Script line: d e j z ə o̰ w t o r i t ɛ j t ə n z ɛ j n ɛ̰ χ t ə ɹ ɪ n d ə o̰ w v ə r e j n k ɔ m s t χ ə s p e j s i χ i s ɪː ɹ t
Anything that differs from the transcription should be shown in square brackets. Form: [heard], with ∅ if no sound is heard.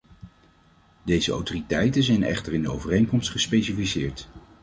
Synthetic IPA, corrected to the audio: d e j z ə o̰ w t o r i t ɛ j t ə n z ɛ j n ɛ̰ χ t ə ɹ ɪ n d ə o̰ w v ə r e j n k ɔ m s t χ ə s p e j s i [f] i s ɪː ɹ t